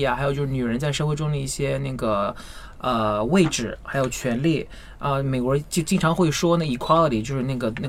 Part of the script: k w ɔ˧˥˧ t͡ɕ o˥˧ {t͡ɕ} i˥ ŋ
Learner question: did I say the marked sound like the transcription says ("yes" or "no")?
yes